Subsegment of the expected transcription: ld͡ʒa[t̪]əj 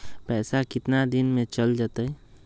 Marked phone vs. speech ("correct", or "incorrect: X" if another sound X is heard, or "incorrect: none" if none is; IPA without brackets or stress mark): correct